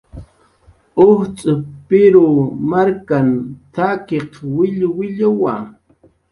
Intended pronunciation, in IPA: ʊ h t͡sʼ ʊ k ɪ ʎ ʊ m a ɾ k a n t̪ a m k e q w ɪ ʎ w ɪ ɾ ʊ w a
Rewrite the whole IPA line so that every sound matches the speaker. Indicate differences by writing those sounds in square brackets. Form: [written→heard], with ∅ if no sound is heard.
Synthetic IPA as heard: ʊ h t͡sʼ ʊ [k→p] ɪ [ʎ→ɾ] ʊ m a ɾ k a n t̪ a [m→∅] k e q w ɪ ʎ w ɪ [ɾ→ʎ] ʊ w a